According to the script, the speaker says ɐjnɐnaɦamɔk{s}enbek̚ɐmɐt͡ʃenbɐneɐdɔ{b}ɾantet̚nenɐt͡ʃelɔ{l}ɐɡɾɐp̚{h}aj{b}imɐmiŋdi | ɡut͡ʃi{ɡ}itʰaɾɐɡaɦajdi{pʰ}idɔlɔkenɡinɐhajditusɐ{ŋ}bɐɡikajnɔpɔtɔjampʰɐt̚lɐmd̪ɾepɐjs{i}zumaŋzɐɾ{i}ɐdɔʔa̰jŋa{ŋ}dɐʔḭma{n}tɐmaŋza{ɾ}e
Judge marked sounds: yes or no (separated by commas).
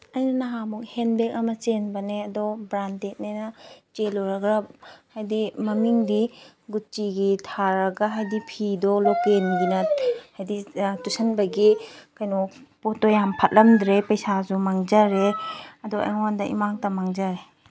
no, yes, no, yes, no, yes, yes, no, no, no, no, no, yes